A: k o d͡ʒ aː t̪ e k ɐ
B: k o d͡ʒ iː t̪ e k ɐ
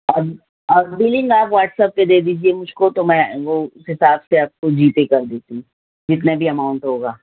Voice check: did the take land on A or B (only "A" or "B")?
B